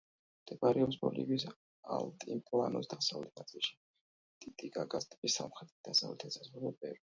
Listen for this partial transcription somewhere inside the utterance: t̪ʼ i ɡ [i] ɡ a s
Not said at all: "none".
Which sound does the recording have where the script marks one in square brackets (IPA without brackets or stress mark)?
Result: a